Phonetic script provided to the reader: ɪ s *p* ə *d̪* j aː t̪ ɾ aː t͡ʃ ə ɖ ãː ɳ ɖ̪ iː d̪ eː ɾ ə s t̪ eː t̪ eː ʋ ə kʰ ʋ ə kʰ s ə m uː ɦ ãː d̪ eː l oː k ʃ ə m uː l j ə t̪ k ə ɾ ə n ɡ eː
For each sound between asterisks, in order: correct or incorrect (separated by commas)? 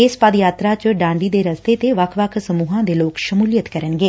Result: correct, correct